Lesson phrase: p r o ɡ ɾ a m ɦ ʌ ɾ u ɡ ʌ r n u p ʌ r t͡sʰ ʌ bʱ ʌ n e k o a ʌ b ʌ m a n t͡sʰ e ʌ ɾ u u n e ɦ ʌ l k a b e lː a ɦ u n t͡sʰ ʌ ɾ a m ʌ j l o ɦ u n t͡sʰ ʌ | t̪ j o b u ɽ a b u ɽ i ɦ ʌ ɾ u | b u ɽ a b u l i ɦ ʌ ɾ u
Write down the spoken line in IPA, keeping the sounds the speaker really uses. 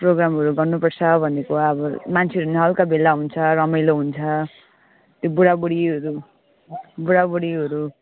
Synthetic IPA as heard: p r o ɡ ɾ a m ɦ ʌ ɾ u ɡ ʌ r n u p ʌ r t͡sʰ ʌ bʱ ʌ n e k o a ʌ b ʌ m a n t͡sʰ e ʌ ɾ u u n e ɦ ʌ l k a b e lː a ɦ u n t͡sʰ ʌ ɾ ʌ m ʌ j l o ɦ u n t͡sʰ ʌ | t̪ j o b u ɽ a b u ɽ i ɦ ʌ ɾ u | b u ɽ a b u ɽ i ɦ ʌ ɾ u

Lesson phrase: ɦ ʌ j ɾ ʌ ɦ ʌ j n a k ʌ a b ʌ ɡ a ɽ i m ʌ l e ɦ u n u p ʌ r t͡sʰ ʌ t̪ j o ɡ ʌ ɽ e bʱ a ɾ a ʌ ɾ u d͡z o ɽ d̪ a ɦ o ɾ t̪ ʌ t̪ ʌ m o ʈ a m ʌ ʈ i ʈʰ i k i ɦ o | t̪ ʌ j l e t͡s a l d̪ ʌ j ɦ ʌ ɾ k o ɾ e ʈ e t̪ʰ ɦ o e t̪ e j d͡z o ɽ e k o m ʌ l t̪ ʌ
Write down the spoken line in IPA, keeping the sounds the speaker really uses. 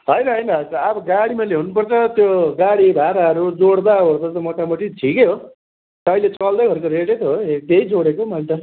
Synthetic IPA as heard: ɦ ʌ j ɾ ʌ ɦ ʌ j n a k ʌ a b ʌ ɡ a ɽ i m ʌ l e ɦ u n u p ʌ r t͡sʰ ʌ t̪ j o ɡ a ɽ i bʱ a ɾ a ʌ ɾ u d͡z o ɽ d̪ a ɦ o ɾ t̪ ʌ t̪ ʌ m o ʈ a m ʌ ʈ i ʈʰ i k e ɦ o | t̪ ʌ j l e t͡s ʌ l d̪ ʌ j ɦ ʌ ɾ k o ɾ e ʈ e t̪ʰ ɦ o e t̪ e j d͡z o ɽ e k o m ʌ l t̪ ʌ

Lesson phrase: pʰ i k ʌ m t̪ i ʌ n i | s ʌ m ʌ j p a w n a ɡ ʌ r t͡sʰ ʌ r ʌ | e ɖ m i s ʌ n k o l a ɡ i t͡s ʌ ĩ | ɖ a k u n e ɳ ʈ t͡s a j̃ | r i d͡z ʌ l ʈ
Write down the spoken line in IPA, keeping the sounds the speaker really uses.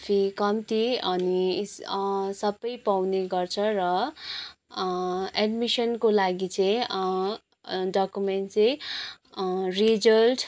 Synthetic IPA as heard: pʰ i k ʌ m t̪ i ʌ n i | s ʌ b ʌ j p a w n e ɡ ʌ r t͡sʰ ʌ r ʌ | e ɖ m i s ʌ n k o l a ɡ i t͡s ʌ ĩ | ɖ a k u m e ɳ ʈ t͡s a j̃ | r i d͡z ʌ l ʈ

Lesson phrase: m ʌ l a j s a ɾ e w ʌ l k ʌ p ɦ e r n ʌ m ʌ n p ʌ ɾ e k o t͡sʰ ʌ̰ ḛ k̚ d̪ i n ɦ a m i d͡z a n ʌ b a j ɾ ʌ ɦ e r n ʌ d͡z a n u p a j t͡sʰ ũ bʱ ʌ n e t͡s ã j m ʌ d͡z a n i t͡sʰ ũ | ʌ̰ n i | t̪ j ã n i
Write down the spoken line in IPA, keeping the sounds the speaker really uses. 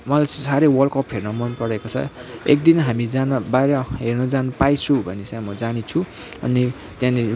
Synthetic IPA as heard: m ʌ l a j s a ɾ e w ʌ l k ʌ p ɦ e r n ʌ m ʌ n p ʌ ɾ e k o t͡sʰ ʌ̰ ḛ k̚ d̪ i n ɦ a m i d͡z a n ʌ b a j ɾ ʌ ɦ e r n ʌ d͡z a n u p a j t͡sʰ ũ bʱ ʌ n e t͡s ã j m ʌ d͡z a n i t͡sʰ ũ | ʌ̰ n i | t̪ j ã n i

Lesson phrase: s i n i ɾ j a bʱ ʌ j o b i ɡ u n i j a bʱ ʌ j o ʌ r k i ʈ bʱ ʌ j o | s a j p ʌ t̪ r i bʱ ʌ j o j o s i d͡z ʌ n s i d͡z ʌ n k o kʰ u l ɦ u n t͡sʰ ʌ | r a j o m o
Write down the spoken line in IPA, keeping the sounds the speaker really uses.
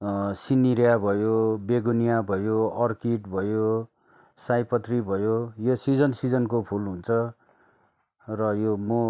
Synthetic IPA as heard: s i n i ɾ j a bʱ ʌ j o b e ɡ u n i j a bʱ ʌ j o ʌ r k i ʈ bʱ ʌ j o | s a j p ʌ t̪ r i bʱ ʌ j o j o s i d͡z ʌ n s i d͡z ʌ n k o pʰ u l ɦ u n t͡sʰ ʌ | r ʌ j o m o

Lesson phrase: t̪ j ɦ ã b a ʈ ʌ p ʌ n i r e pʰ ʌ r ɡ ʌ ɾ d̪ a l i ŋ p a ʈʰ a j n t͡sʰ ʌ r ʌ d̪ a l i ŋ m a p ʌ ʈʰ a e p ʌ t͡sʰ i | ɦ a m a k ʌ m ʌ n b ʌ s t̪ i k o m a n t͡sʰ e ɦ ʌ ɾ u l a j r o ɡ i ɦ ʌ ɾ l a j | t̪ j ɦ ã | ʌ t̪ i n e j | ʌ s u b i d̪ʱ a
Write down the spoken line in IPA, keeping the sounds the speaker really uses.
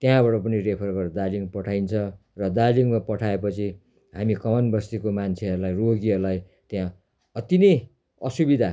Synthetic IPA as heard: t̪ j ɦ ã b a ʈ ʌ p ʌ n i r e pʰ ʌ r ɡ ʌ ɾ d̪ a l i ŋ p ʌ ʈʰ a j n t͡sʰ ʌ r ʌ d̪ a l i ŋ m a p ʌ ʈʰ a e p ʌ t͡sʰ i | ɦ a m i k ʌ m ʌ n b ʌ s t̪ i k o m a n t͡sʰ e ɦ ʌ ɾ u l a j r o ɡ i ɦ ʌ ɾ l a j | t̪ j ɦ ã | ʌ t̪ i n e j | ʌ s u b i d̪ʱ a

